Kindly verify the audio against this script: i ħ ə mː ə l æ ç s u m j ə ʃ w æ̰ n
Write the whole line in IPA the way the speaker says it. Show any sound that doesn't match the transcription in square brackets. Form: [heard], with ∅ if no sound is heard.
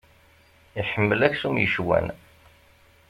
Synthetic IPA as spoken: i ħ ə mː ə l æ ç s u m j ə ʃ w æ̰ n